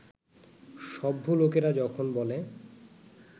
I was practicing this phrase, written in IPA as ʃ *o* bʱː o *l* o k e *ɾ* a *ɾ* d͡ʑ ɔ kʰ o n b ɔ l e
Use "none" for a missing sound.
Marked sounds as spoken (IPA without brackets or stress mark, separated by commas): ɔ, l, ɾ, none